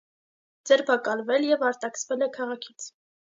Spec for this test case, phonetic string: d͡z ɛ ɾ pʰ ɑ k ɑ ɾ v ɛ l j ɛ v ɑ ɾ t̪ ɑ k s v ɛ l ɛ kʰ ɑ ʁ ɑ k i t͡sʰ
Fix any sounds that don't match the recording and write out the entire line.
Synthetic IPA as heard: d͡z ɛ ɾ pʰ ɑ k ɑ l v ɛ l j ɛ v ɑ ɾ t̪ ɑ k s v ɛ l ɛ kʰ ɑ ʁ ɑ kʰ i t͡sʰ